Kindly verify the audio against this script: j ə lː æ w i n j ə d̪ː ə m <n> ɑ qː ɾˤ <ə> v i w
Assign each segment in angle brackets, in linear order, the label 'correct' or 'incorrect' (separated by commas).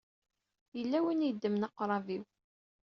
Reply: correct, incorrect